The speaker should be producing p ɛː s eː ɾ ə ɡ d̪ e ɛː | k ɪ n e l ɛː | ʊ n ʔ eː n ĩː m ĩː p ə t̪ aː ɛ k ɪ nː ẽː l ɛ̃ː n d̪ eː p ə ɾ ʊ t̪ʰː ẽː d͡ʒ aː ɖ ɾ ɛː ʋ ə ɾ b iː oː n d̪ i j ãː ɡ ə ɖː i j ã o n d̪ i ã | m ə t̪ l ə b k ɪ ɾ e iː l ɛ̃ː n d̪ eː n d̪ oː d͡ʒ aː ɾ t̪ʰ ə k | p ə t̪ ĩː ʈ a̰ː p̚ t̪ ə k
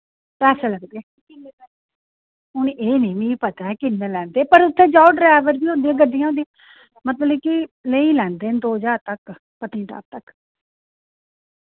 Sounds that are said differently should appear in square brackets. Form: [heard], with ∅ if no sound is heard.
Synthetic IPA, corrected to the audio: p ɛː s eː [l] ə ɡ d̪ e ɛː | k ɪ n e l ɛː | ʊ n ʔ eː n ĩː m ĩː p ə t̪ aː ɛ k ɪ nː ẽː l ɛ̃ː n d̪ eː p ə ɾ ʊ t̪ʰː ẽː d͡ʒ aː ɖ ɾ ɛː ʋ ə ɾ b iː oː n d̪ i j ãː ɡ ə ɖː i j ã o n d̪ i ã | m ə t̪ l ə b k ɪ [l] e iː l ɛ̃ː n d̪ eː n d̪ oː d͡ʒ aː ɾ [t̪] ə k | p ə t̪ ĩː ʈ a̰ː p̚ t̪ ə k